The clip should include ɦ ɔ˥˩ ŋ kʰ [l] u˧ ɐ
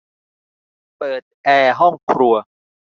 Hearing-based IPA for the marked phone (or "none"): ɾ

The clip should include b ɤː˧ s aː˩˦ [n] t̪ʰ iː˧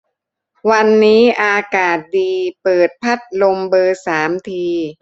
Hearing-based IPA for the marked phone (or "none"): m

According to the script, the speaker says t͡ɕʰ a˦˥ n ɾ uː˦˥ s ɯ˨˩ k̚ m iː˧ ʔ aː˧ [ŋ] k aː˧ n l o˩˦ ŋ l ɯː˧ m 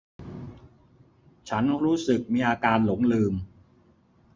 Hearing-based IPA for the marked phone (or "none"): none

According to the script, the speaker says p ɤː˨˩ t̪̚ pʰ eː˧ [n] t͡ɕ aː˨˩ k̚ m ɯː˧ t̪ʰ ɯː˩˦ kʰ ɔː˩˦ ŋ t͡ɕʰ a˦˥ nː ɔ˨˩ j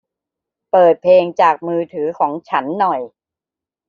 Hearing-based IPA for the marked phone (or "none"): ŋ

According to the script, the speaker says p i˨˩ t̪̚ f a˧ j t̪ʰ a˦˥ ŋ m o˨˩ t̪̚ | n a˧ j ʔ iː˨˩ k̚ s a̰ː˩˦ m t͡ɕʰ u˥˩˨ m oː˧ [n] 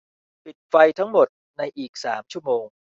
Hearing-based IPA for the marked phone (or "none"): ŋ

